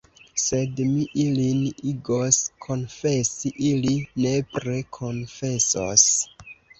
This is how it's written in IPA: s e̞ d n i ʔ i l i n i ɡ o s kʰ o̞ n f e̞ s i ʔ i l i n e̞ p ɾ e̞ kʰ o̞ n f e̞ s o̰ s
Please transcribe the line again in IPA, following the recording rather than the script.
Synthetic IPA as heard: s e̞ d m i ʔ i l i n i ɡ o s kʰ o̞ n f e̞ s i ʔ i l i n e̞ p ɾ e̞ kʰ o̞ n f e̞ s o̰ s